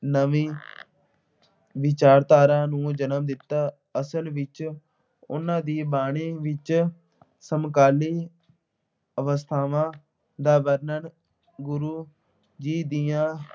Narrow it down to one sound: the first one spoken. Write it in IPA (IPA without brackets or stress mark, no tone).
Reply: n